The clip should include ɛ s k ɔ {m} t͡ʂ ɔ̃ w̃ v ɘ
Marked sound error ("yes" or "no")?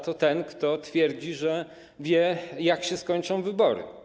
yes